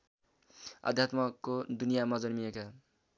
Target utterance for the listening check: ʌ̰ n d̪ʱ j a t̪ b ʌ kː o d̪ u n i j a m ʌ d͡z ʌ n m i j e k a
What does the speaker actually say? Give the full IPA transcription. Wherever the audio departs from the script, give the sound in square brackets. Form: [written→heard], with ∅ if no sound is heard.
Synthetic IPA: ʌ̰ [n→∅] d̪ʱ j a t̪ [b→m] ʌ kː o d̪ u n i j a m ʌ d͡z ʌ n m i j e k a